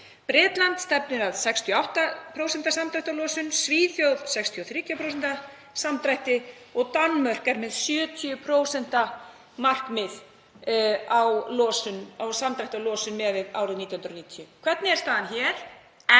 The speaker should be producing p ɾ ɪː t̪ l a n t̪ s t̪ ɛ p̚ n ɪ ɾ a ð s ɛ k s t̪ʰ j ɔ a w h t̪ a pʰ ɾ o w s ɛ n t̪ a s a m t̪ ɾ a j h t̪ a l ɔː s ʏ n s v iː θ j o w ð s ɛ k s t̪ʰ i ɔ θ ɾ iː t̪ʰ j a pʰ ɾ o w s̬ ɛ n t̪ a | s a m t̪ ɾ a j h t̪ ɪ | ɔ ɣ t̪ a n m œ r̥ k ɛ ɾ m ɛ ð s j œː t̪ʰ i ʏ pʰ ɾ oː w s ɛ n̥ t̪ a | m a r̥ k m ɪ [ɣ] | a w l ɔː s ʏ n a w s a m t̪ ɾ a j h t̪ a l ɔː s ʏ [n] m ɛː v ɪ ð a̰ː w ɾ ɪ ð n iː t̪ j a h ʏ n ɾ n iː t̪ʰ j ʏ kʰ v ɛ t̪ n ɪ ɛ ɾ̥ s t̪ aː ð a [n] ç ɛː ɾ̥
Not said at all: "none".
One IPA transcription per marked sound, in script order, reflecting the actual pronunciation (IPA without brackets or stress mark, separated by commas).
ð, n, n